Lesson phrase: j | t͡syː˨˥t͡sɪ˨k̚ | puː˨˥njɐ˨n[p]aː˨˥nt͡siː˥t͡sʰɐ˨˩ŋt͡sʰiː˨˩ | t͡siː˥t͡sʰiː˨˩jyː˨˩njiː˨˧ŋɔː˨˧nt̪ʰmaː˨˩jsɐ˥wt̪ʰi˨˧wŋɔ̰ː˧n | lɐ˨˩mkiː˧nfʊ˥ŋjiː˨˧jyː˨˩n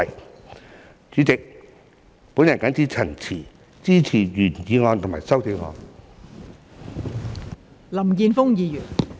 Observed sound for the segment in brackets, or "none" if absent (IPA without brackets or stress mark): k